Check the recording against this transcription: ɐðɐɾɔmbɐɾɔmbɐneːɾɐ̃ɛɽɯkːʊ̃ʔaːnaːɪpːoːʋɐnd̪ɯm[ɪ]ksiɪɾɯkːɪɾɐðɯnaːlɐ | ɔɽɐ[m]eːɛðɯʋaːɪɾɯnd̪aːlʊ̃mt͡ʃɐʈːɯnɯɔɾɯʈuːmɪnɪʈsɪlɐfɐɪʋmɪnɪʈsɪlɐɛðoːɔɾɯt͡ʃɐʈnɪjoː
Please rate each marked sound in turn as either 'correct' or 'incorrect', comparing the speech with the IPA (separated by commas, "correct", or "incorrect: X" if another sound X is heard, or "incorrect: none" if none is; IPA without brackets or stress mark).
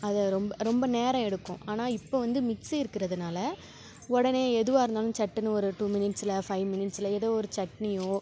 correct, incorrect: n